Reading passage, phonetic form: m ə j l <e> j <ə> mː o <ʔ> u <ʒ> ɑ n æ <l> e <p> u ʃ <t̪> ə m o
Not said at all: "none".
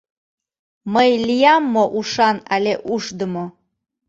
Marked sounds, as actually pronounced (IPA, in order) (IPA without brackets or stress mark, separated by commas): i, ɑ, ʔ, ʃ, l, ʔ, d̪